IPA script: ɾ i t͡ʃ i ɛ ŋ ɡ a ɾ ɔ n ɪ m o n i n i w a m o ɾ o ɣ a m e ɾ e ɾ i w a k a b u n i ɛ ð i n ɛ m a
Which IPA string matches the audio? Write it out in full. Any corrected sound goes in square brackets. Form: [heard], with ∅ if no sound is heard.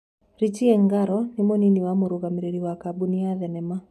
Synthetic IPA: ɾ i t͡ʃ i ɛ ŋ ɡ a ɾ ɔ n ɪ m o n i n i w a m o ɾ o ɣ a m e ɾ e ɾ i w a k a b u n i [a] ð [ɛ] n ɛ m a